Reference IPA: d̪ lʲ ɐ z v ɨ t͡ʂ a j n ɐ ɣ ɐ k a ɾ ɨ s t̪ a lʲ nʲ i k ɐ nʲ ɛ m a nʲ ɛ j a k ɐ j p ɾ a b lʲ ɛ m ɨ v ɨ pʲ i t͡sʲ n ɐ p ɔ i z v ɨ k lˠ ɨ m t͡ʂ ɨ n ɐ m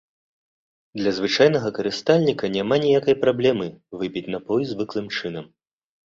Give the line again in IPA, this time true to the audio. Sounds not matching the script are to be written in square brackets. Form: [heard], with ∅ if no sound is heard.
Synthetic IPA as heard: d̪ lʲ ɐ z v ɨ t͡ʂ a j n ɐ ɣ ɐ k [ɐ] ɾ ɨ s t̪ a lʲ nʲ i k ɐ nʲ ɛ m a nʲ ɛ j a k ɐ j p ɾ a b lʲ ɛ m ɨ v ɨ pʲ i t͡sʲ n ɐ p ɔ [j] z v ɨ k lˠ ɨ m t͡ʂ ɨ n ɐ m

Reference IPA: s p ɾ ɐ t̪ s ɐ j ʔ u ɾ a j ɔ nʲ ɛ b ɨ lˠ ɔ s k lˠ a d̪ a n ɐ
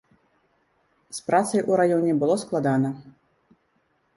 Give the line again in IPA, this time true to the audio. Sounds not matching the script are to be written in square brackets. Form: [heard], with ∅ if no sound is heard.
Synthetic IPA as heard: s p ɾ [a] t̪ s ɐ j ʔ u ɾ a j ɔ nʲ ɛ b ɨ lˠ ɔ s k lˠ a d̪ a n ɐ

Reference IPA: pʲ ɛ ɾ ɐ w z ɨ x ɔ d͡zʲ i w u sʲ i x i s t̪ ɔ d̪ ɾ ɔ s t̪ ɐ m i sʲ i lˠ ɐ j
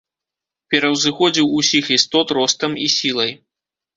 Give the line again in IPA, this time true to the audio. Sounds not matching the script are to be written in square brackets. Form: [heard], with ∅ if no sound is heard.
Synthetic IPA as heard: pʲ ɛ ɾ ɐ w z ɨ x ɔ d͡zʲ i w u sʲ i x i s t̪ ɔ [t̪] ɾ ɔ s t̪ ɐ m i sʲ i lˠ ɐ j

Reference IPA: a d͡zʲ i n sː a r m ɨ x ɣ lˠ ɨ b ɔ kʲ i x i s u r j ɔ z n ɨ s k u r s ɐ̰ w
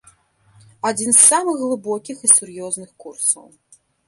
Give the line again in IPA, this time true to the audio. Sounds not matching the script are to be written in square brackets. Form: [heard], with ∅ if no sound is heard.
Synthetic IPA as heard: a d͡zʲ i n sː a [∅] m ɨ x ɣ lˠ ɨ b ɔ kʲ i x i s u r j ɔ z n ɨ [x] k u r s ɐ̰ w

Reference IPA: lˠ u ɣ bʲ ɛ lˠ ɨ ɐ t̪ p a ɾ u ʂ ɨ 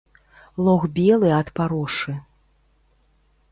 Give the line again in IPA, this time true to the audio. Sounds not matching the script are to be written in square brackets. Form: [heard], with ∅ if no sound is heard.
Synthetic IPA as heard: lˠ [ɔ] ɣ bʲ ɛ lˠ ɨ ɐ t̪ p a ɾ [ɔ] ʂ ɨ

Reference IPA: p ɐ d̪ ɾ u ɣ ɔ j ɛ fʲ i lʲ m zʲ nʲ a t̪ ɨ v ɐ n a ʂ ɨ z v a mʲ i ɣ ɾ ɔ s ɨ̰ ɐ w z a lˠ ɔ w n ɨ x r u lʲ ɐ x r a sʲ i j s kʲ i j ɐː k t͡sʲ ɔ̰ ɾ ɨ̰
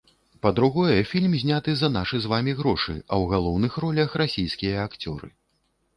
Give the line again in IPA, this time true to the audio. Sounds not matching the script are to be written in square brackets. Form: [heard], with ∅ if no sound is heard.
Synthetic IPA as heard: p ɐ d̪ ɾ u ɣ ɔ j ɛ fʲ i lʲ m zʲ nʲ a t̪ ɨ [z] ɐ n a ʂ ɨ z v a mʲ i ɣ ɾ ɔ [ʂ] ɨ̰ ɐ w [ɣ] a lˠ ɔ w n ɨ x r [ɔ] lʲ ɐ x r a sʲ i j s kʲ i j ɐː k t͡sʲ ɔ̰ ɾ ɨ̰

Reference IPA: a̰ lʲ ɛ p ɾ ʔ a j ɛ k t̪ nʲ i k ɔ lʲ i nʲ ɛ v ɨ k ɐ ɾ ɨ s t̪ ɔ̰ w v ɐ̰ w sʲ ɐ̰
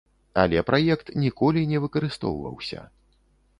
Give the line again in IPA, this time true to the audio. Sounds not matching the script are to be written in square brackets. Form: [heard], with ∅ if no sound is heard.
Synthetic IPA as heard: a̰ lʲ ɛ p ɾ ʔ a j ɛ k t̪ nʲ i k ɔ lʲ i nʲ ɛ v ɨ k ɐ ɾ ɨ s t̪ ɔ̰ w v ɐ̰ w sʲ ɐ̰

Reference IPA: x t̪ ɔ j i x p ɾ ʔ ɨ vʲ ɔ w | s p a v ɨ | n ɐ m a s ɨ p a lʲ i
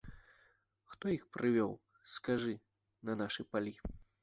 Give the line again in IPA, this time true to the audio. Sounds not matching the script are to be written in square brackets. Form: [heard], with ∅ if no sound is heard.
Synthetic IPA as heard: x t̪ ɔ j i x p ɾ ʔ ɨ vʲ ɔ w | s [k] a [ʐ] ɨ | n ɐ [n] a [ʂ] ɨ p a lʲ i

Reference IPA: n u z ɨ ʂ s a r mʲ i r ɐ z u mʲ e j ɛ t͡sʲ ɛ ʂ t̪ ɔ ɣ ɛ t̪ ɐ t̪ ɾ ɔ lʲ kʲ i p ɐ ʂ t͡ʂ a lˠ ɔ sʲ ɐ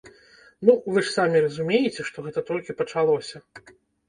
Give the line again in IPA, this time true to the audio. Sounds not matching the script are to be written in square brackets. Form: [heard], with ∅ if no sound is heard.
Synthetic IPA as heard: n u [v] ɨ ʂ s a [∅] mʲ i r ɐ z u mʲ e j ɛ t͡sʲ ɛ ʂ t̪ ɔ ɣ ɛ t̪ ɐ t̪ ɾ ɔ lʲ kʲ i p ɐ [∅] t͡ʂ a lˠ ɔ sʲ ɐ

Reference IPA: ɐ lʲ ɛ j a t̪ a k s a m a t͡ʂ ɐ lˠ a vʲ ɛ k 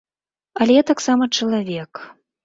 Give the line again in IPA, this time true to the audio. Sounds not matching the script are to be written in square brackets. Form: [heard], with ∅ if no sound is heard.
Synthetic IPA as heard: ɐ lʲ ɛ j a t̪ a k s a m [ɐ] t͡ʂ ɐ lˠ a vʲ ɛ k

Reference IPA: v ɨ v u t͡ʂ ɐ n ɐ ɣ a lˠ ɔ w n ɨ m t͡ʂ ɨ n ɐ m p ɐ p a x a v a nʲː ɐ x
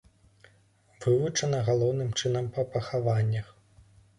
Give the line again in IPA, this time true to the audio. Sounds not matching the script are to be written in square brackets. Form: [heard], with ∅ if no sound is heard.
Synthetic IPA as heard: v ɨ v u t͡ʂ ɐ n ɐ ɣ a lˠ ɔ w n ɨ m t͡ʂ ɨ n ɐ m p ɐ p [ɐ] x a v a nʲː ɐ x

